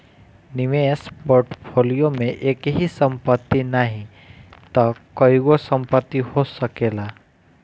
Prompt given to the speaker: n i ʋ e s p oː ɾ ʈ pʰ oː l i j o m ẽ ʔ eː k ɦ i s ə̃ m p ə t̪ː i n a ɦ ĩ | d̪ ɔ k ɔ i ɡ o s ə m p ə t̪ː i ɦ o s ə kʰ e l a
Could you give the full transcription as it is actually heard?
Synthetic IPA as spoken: n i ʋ e s p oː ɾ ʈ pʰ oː l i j o m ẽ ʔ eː k ɦ i s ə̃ m p ə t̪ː i n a ɦ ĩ | t̪ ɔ k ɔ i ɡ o s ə m p ə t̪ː i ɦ o s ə k e l a